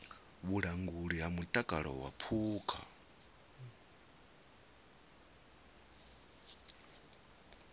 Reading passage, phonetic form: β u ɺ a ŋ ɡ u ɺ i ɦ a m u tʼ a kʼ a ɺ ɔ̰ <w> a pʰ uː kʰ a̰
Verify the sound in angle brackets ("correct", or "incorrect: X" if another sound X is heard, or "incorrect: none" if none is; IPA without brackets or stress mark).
correct